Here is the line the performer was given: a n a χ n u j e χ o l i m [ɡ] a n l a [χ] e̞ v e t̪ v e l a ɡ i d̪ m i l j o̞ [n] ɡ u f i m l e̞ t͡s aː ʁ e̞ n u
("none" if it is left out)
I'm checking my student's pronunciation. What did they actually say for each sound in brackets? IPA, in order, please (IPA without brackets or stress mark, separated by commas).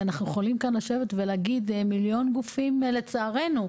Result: k, ʃ, n